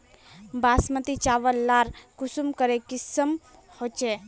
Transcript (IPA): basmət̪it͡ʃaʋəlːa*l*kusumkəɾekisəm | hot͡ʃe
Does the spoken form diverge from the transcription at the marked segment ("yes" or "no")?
yes